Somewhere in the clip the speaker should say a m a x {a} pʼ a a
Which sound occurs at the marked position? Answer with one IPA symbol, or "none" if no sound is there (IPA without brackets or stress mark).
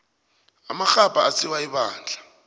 a